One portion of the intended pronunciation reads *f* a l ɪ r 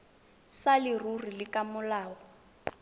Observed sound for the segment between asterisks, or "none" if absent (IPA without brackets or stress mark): s